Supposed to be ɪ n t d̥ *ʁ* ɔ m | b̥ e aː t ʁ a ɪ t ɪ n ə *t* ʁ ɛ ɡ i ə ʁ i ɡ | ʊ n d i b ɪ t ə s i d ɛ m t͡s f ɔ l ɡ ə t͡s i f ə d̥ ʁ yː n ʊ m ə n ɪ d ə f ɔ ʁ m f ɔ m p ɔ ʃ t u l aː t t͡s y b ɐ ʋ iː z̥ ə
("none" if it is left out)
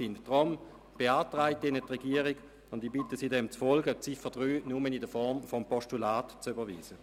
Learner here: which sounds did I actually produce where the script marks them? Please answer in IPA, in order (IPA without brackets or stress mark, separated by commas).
ʁ, t